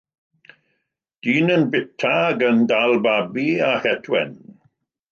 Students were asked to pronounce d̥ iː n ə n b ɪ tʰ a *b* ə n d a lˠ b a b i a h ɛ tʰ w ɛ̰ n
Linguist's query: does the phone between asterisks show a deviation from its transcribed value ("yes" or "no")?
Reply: yes